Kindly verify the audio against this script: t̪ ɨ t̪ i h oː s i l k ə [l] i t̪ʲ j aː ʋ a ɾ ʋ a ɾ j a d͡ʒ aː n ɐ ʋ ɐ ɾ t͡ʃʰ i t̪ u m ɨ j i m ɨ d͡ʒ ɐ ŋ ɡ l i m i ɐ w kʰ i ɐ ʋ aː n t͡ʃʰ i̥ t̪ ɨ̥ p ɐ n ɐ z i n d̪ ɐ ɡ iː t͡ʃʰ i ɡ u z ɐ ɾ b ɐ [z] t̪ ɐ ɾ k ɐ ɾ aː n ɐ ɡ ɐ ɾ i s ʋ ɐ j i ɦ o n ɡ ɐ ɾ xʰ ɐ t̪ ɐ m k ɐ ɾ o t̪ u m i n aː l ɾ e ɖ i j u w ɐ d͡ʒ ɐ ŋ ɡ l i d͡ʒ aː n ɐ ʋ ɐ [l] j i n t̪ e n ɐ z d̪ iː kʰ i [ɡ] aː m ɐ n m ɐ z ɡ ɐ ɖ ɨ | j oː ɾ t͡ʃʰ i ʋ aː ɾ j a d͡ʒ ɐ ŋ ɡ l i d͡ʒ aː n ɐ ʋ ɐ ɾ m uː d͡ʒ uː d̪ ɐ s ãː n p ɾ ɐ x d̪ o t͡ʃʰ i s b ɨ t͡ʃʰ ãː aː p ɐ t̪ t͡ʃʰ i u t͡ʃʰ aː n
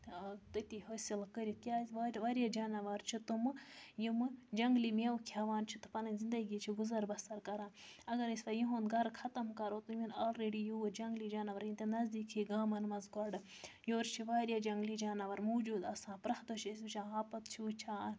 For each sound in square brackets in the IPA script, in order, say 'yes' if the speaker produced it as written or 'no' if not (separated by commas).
no, no, no, yes